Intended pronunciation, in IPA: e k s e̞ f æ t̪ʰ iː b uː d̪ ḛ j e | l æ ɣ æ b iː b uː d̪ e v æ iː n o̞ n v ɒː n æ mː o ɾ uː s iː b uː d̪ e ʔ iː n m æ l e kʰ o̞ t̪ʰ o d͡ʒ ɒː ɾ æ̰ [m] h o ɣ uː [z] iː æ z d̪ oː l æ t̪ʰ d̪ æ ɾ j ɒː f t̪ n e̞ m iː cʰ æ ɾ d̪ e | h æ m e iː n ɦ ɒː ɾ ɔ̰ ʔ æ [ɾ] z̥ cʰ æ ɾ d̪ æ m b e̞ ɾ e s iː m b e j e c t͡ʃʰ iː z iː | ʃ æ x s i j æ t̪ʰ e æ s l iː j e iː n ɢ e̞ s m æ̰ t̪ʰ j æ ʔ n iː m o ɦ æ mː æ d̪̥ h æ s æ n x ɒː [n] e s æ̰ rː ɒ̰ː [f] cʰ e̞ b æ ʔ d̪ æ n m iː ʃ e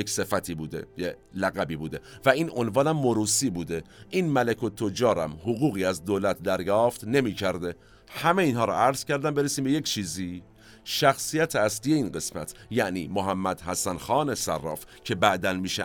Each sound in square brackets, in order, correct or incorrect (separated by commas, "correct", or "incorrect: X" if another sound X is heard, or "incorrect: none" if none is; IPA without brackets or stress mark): correct, incorrect: ɣ, correct, correct, correct